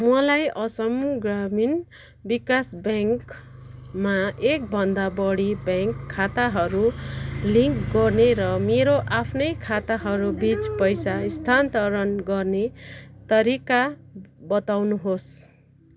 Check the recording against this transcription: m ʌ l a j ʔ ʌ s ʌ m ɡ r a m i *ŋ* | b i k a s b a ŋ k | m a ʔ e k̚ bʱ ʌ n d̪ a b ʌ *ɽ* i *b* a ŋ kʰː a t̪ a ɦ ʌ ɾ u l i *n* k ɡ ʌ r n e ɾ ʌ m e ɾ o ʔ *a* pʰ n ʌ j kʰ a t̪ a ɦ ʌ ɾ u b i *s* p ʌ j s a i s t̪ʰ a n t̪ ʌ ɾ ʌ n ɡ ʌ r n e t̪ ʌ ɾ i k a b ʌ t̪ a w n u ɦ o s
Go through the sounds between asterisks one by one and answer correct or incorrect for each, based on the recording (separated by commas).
incorrect, correct, correct, incorrect, correct, incorrect